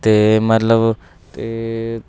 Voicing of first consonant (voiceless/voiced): voiceless